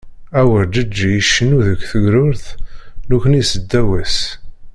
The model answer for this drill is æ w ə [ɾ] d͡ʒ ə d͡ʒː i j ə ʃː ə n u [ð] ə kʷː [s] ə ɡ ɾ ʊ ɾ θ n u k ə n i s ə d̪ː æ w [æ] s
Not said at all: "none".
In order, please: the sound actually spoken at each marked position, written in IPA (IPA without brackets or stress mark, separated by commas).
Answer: ɾ, ð, θ, æ